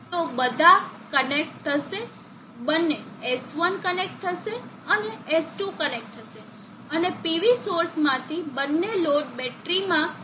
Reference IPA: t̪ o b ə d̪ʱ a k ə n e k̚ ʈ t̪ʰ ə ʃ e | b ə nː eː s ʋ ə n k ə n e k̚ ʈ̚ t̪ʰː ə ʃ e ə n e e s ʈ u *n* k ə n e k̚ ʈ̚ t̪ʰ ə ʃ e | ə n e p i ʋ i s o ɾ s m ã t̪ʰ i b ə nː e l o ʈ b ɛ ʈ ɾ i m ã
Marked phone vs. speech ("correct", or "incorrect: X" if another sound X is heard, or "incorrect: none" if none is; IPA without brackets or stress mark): incorrect: none